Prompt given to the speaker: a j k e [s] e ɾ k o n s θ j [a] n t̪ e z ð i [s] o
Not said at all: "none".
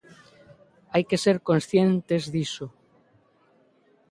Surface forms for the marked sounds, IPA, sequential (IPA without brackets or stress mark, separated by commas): s, e, s